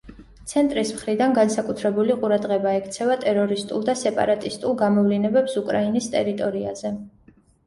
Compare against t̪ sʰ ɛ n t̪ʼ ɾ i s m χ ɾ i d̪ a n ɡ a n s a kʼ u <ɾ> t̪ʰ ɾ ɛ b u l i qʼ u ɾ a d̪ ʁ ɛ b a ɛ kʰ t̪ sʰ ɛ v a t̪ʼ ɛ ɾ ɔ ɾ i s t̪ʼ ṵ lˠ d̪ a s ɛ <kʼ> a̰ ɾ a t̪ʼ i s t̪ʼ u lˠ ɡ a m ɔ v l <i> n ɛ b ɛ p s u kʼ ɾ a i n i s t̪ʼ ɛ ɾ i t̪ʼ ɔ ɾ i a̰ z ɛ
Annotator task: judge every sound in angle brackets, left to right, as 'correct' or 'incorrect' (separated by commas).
incorrect, incorrect, correct